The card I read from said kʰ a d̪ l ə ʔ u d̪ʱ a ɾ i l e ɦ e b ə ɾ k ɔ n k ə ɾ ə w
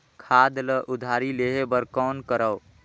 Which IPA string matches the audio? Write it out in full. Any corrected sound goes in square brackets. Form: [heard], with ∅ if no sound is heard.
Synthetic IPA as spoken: kʰ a d̪ l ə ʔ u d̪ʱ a ɾ i l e ɦ e b ə ɾ k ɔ n k ə ɾ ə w